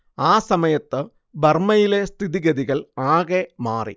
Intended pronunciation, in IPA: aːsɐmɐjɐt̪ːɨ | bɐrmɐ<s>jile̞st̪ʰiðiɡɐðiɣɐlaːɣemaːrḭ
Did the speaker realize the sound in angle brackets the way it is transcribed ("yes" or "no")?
no